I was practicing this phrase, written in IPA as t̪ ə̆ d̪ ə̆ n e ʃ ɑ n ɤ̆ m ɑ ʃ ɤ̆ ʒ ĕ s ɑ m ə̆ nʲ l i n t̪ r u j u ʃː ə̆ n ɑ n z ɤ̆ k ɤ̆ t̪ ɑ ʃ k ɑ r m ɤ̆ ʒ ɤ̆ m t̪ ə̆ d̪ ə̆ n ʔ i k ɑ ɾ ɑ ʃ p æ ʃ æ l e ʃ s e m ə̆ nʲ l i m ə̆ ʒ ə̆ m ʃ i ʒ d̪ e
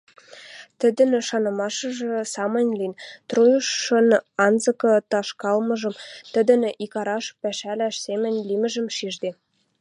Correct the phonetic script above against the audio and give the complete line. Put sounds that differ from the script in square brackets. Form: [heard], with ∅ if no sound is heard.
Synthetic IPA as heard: t̪ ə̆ d̪ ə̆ n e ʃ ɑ n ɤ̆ m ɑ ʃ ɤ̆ ʒ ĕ s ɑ m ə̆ nʲ l i n t̪ r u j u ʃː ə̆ n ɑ n z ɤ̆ k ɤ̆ t̪ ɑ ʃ k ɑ [l] m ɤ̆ ʒ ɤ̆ m t̪ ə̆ d̪ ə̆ n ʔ i k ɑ ɾ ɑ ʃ p æ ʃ æ l [æ] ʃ s e m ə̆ nʲ l i m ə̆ ʒ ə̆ m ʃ i ʒ d̪ e